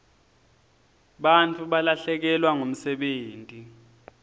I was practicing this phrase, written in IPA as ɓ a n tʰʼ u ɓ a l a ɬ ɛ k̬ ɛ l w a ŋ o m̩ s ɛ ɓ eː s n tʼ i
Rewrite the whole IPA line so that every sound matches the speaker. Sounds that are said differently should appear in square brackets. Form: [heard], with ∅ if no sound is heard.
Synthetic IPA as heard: ɓ a n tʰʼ u ɓ a l a ɬ ɛ k̬ ɛ l w a ŋ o m̩ s ɛ ɓ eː [∅] n tʼ i